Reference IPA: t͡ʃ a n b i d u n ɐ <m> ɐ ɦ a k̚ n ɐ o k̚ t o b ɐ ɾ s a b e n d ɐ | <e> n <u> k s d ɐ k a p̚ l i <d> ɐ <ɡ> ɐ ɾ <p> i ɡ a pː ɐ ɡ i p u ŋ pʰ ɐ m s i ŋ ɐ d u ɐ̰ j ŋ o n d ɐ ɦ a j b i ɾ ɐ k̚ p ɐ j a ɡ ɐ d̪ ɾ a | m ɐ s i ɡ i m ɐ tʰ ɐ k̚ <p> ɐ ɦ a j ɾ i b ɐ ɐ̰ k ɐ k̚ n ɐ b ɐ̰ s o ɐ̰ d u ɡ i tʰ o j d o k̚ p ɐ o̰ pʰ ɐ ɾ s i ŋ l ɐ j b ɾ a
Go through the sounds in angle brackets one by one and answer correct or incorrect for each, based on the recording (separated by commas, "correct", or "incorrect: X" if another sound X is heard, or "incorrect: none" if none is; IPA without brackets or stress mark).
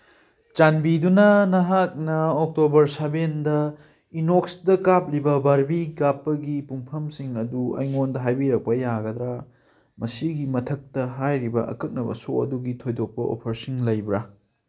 incorrect: n, incorrect: i, incorrect: o, incorrect: b, incorrect: b, incorrect: b, incorrect: t